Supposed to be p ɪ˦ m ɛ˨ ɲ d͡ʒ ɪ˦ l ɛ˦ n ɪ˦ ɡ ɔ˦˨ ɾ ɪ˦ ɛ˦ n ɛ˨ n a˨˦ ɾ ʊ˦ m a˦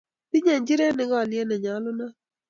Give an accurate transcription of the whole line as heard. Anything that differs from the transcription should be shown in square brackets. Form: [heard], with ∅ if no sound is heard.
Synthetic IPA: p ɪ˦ [ɲ] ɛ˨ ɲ d͡ʒ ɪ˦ [ɾ] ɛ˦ n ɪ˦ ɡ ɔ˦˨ [l] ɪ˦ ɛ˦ n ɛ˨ [ɲ] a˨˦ [l] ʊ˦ [n] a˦